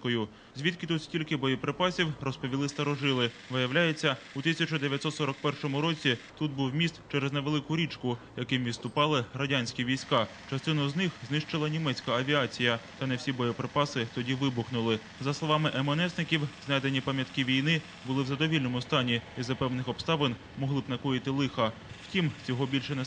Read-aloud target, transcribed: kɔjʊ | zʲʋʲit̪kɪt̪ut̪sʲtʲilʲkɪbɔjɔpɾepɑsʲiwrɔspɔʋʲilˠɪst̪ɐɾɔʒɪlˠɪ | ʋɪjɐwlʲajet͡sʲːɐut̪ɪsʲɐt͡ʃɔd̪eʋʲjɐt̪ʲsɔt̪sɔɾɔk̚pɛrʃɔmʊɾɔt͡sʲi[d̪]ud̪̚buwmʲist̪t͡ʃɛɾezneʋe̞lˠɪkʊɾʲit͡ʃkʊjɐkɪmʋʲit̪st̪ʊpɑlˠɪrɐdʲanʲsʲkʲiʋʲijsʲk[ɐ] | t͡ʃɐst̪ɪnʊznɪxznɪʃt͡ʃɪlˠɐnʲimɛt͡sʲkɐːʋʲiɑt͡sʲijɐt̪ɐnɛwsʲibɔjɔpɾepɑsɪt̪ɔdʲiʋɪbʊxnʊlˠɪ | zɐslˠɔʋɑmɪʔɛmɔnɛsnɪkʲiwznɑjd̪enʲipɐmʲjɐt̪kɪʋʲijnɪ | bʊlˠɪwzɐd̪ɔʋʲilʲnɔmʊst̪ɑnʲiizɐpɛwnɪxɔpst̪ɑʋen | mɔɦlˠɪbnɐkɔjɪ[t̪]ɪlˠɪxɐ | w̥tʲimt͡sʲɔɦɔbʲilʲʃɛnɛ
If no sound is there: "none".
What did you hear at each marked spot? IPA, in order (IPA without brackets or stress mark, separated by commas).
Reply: t̪, ɑ, t̪